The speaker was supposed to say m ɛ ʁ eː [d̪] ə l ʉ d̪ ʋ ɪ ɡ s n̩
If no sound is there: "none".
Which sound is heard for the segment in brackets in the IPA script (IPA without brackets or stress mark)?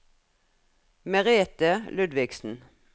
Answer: t̪